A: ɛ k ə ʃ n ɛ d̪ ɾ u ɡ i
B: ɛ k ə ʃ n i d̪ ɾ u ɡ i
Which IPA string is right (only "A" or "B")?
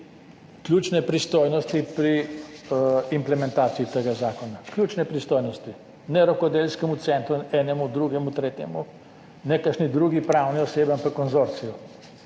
B